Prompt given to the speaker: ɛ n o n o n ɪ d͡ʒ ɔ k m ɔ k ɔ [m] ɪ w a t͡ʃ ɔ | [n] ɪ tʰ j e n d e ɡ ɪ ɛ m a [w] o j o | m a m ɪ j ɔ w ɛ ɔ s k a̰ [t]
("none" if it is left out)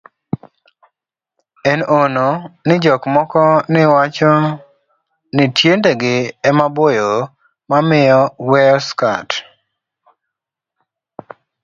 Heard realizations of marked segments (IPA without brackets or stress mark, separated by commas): n, n, b, t